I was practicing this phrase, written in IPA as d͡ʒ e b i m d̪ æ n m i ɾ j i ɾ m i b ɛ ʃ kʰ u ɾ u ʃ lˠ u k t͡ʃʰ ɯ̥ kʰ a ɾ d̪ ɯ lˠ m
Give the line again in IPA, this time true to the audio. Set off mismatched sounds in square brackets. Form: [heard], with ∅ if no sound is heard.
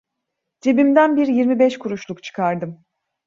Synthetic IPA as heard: d͡ʒ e b i m d̪ æ n [b] i ɾ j i ɾ m i b ɛ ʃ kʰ u ɾ u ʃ lˠ u k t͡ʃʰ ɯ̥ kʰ a ɾ d̪ ɯ [∅] m